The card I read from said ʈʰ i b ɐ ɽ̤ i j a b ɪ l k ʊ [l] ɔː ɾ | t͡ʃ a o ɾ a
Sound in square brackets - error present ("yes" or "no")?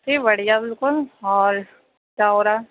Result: no